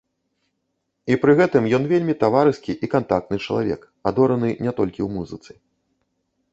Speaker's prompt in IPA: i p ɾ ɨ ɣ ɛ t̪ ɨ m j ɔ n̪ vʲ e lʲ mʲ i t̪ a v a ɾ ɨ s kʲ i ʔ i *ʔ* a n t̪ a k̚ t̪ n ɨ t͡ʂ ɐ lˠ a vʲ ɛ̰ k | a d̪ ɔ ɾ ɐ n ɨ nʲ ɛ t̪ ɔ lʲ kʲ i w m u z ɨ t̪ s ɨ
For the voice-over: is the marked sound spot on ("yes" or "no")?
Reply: no